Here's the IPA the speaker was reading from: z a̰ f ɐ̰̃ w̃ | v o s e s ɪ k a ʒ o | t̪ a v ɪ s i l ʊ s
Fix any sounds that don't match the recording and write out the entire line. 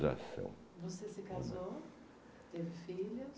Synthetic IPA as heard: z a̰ s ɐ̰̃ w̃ | v o s e s ɪ k a z o | t̪ e v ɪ f i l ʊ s